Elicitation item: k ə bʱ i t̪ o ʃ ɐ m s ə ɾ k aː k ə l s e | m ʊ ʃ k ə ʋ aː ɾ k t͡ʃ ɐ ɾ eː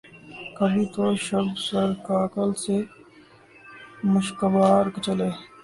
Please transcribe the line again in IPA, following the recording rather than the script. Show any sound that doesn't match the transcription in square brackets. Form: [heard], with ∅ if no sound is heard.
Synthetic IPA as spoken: k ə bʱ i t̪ o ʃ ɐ [b] s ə ɾ k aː k ə l s e | m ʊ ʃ k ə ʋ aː ɾ k t͡ʃ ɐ [l] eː